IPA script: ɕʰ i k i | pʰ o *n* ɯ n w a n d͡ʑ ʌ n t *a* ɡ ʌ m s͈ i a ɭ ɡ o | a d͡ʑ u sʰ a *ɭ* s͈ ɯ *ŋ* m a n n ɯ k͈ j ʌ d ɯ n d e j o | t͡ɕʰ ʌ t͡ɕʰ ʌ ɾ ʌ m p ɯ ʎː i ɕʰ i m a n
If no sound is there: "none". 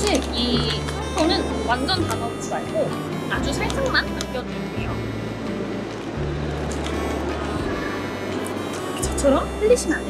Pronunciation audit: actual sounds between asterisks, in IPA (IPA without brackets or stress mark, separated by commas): n, a, ɭ, ŋ